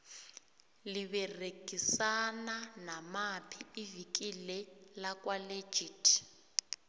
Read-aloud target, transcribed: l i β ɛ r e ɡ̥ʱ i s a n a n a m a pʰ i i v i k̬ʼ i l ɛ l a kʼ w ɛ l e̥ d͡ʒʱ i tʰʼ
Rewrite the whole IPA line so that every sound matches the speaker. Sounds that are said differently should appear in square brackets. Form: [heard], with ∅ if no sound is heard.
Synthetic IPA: l i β ɛ r e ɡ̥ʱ i s a n a n a m a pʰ i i v i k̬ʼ i l ɛ l a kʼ w [a] l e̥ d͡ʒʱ i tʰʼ